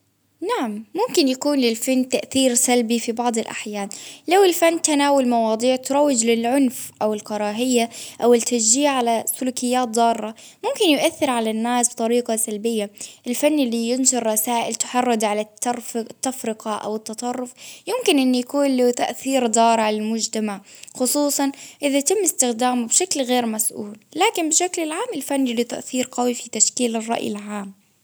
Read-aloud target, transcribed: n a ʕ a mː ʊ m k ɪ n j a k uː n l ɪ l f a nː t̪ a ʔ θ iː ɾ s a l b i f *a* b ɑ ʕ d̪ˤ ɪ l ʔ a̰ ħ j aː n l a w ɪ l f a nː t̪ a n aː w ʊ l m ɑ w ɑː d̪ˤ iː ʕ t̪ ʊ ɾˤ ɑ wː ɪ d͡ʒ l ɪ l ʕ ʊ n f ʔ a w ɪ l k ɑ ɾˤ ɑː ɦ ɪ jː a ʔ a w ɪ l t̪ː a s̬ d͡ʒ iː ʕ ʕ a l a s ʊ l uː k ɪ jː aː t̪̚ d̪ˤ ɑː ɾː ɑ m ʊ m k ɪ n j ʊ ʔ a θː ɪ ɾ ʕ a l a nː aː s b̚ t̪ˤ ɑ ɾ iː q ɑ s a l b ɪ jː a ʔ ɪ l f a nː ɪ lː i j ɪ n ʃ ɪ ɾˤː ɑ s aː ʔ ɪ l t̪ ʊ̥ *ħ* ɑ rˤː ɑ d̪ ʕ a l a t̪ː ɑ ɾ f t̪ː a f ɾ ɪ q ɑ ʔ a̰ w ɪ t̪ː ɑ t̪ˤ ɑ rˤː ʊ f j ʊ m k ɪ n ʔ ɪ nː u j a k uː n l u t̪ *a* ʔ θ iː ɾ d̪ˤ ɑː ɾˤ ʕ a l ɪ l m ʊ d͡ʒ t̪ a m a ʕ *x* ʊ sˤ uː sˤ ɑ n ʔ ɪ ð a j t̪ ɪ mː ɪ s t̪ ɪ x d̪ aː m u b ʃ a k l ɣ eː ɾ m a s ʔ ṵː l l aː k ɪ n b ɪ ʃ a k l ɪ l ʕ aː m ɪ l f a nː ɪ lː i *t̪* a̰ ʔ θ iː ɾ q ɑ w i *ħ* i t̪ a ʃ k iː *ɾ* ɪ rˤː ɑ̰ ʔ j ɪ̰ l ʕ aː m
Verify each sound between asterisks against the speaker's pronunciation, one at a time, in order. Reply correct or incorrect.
incorrect: i, correct, correct, correct, correct, incorrect: f, incorrect: l

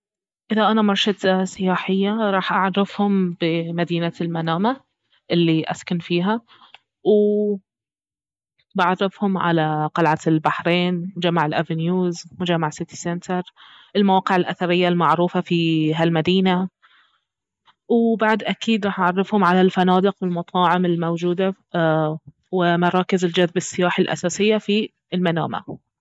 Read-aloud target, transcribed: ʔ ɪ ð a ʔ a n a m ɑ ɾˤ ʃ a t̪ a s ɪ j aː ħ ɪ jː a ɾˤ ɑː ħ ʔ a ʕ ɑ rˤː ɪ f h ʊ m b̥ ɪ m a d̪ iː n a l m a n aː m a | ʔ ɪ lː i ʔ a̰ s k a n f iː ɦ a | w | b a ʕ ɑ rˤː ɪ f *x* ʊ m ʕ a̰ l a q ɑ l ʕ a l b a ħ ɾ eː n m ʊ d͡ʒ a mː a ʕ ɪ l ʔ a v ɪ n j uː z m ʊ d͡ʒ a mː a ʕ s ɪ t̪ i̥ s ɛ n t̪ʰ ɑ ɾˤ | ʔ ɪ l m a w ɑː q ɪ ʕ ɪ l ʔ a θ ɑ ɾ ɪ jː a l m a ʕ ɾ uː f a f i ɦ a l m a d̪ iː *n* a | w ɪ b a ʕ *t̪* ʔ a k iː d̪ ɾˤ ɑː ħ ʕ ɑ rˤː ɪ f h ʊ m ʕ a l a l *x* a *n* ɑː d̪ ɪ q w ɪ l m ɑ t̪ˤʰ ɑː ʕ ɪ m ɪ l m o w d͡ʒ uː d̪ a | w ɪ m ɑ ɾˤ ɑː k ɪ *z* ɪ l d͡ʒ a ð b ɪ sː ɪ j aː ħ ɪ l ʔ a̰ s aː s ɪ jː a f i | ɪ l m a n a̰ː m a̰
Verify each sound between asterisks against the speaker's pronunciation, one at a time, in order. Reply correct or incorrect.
incorrect: h, correct, incorrect: d̪, incorrect: f, correct, correct

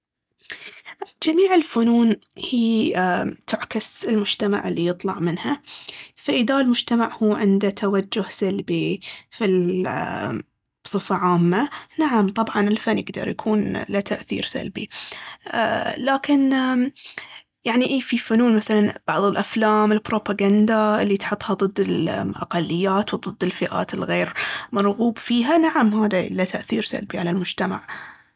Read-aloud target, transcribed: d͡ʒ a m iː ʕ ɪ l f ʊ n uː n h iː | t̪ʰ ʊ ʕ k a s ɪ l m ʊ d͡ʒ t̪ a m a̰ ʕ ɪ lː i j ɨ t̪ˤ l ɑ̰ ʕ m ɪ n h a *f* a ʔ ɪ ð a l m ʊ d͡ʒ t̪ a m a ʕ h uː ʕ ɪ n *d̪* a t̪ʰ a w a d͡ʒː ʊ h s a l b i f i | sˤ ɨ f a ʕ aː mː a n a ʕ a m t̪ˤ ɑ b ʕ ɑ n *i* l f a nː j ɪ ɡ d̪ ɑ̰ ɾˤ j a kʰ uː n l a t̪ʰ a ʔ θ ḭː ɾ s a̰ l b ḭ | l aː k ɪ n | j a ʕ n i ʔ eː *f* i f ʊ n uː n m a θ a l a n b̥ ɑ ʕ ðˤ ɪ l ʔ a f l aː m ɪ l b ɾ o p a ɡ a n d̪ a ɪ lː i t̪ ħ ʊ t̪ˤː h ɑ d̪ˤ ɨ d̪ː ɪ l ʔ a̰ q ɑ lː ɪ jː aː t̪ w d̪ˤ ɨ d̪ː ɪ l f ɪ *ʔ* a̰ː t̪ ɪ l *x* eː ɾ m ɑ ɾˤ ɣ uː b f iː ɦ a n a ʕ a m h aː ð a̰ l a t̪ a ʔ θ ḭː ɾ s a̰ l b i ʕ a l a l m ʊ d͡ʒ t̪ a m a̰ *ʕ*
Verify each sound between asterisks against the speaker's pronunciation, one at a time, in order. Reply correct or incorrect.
correct, correct, incorrect: ɪ, correct, correct, incorrect: ɣ, correct

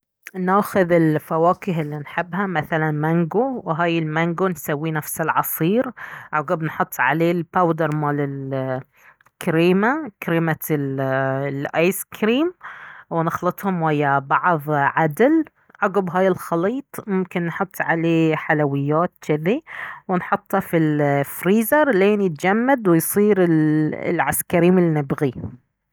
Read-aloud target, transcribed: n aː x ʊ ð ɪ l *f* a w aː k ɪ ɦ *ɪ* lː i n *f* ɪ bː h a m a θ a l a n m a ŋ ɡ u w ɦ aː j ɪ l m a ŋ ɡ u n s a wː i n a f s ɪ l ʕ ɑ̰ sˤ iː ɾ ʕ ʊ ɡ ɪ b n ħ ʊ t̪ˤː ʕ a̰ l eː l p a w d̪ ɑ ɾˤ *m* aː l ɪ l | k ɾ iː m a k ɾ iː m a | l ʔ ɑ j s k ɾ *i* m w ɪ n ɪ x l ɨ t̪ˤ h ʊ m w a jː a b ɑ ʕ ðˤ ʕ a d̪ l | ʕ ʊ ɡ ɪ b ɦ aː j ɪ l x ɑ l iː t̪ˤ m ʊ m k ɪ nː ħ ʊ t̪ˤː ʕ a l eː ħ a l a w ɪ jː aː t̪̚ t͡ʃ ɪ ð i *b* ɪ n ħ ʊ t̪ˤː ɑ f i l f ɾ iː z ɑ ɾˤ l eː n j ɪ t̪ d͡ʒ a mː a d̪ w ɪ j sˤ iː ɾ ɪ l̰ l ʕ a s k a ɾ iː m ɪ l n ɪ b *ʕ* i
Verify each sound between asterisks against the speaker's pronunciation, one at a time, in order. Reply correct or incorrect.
correct, correct, incorrect: ħ, correct, incorrect: iː, incorrect: w, incorrect: ɣ

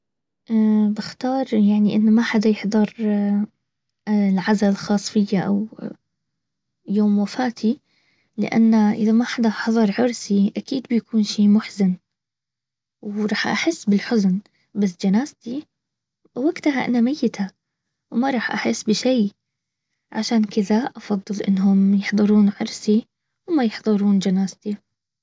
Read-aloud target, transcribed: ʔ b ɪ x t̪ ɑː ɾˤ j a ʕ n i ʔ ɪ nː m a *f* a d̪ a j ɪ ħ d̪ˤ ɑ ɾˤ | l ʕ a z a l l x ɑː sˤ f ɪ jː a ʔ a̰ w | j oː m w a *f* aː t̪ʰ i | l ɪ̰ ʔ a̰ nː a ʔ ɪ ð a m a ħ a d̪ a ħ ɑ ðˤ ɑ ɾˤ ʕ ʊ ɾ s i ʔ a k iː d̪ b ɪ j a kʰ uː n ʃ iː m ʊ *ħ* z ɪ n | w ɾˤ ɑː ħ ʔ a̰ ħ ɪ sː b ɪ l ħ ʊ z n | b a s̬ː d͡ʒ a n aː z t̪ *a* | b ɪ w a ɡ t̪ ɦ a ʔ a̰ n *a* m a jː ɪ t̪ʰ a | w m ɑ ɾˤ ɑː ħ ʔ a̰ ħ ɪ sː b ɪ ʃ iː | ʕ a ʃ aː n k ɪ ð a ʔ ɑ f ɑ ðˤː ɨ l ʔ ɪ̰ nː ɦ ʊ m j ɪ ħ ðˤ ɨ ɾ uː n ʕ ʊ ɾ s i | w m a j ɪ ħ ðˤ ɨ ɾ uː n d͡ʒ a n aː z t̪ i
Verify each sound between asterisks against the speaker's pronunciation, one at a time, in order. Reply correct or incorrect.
incorrect: ħ, correct, correct, incorrect: i, correct

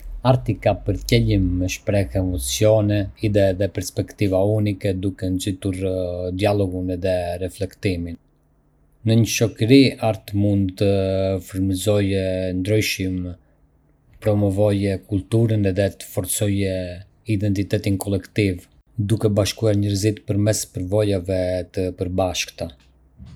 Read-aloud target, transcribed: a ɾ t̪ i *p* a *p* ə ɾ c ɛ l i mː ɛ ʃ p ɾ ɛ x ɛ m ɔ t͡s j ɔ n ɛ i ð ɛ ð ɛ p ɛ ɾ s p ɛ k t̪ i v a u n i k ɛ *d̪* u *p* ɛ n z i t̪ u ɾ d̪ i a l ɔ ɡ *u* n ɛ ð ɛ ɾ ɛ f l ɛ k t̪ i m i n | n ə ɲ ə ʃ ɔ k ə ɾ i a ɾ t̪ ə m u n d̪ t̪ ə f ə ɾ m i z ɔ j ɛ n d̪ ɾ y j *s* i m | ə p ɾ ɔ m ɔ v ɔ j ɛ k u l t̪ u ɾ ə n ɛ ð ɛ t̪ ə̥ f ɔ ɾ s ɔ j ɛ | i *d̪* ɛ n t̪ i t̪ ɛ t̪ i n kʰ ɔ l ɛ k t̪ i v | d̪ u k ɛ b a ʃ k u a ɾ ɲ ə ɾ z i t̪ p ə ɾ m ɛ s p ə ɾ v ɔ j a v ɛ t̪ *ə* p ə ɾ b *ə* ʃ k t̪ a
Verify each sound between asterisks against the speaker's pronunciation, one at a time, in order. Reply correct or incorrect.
incorrect: k, correct, correct, incorrect: k, correct, incorrect: ʃ, correct, correct, incorrect: a

